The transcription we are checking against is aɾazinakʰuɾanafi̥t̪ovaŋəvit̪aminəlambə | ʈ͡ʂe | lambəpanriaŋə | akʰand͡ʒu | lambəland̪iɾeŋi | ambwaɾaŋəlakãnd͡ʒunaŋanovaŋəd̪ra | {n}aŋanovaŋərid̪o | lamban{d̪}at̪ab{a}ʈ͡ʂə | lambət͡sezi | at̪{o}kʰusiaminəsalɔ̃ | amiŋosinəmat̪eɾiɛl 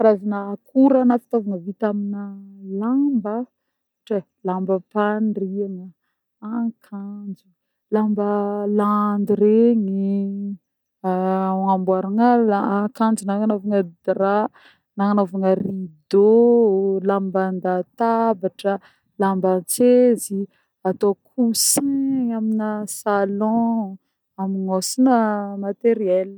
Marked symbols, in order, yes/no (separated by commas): yes, yes, yes, yes